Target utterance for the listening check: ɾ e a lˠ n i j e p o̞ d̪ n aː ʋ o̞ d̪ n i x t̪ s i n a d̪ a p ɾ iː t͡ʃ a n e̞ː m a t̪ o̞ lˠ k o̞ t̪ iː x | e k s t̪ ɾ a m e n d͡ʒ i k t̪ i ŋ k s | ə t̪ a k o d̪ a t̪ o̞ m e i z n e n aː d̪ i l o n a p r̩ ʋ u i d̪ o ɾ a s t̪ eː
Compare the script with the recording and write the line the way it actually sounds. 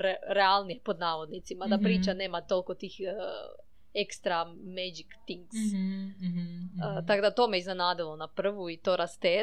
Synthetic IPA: ɾ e a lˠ n i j e p o̞ d̪ n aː ʋ o̞ d̪ n i t̪ s i m a d̪ a p ɾ iː t͡ʃ a n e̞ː m a t̪ o̞ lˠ k o̞ t̪ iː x | e k s t̪ ɾ a m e d͡ʒ i k t̪ i ŋ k s | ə t̪ a k o d̪ a t̪ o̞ m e i z n e n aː d̪ i l o n a p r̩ ʋ u i t̪ o ɾ a s t̪ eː